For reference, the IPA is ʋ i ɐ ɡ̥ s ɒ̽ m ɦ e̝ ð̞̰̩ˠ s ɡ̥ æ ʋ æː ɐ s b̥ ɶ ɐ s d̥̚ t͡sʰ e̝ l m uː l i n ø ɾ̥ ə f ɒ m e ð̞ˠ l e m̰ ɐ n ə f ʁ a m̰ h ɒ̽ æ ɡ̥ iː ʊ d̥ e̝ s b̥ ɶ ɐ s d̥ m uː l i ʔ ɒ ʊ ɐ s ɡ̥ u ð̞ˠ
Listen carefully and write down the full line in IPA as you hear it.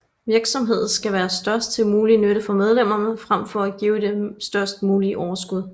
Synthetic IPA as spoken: ʋ i ɐ ɡ̥ s ɒ̽ m ɦ e̝ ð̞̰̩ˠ s ɡ̥ æ ʋ æː ɐ s d̥ ɶ ɐ s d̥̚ t͡sʰ e̝ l m uː l i n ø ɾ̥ ə f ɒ m e ð̞ˠ l e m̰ ɐ n ə f ʁ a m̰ f ɒ̽ æ ɡ̥ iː ʊ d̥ e̝ s d̥ ɶ ɐ s d̥ m uː l i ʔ ɒ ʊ ɐ s ɡ̥ u ð̞ˠ